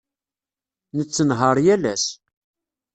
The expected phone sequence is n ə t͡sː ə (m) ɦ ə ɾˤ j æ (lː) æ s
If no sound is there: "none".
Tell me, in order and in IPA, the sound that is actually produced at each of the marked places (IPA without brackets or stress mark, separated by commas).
n, l